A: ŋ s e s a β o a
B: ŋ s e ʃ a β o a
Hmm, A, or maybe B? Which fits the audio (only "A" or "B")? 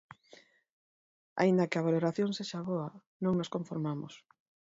B